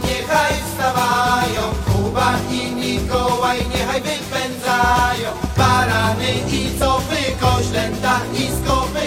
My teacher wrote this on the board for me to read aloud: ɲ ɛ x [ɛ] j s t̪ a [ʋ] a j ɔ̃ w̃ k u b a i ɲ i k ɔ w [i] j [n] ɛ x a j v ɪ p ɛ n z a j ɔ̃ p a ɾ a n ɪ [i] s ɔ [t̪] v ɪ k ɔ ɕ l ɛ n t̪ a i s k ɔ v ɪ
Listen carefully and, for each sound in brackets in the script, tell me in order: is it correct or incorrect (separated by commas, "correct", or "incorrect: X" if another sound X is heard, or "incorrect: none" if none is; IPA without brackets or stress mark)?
incorrect: a, incorrect: v, incorrect: a, incorrect: ɲ, correct, incorrect: none